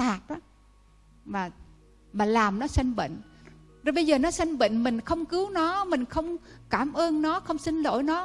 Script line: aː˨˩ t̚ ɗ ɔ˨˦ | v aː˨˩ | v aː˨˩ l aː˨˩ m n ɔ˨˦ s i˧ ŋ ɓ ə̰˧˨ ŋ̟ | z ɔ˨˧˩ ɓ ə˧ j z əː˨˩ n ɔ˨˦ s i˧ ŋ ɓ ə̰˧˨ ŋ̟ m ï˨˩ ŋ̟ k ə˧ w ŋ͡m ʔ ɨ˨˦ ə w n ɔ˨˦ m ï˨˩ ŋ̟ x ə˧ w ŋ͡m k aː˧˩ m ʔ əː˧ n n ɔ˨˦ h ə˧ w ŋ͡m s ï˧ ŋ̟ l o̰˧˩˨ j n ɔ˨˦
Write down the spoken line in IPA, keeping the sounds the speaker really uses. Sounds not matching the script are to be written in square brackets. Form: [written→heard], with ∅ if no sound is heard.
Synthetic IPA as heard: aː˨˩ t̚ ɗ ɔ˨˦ | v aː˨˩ | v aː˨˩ l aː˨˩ m n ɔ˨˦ s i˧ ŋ ɓ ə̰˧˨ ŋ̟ | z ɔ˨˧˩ ɓ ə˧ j z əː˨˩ n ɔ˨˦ s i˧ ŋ ɓ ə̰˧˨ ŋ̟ m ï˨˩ ŋ̟ [k→x] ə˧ w ŋ͡m [ʔ→k] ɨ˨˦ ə w n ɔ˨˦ m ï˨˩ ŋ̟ x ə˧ w ŋ͡m k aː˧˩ m ʔ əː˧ n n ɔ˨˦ [h→x] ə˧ w ŋ͡m s ï˧ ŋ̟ l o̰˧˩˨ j n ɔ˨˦